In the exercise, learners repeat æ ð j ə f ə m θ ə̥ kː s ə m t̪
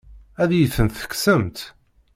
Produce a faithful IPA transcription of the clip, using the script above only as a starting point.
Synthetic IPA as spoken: æ ð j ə θ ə n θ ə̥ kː s ə m t̪